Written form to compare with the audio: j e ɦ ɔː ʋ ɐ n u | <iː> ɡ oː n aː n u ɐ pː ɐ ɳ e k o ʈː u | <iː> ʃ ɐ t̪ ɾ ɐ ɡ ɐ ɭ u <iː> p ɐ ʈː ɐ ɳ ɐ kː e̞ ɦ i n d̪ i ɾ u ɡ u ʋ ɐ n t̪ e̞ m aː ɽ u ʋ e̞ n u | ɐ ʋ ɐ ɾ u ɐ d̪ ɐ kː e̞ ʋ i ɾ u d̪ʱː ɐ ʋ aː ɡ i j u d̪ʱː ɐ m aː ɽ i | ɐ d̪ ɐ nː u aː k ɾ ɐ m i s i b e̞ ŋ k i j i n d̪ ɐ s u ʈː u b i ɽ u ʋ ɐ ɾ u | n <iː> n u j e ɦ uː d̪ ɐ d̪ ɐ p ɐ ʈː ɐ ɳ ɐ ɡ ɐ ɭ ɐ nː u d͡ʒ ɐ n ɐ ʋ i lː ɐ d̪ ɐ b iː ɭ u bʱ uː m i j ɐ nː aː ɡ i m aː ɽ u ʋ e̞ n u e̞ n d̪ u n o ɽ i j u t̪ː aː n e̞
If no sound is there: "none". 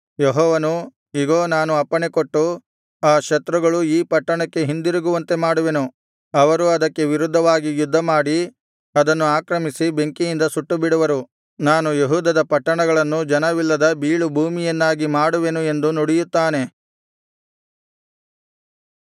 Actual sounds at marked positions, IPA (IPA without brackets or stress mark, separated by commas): i, aː, iː, aː